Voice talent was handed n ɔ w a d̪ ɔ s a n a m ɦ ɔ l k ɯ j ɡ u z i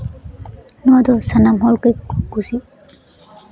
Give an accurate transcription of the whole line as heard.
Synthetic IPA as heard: n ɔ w a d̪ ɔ s a n a m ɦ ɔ l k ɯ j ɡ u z i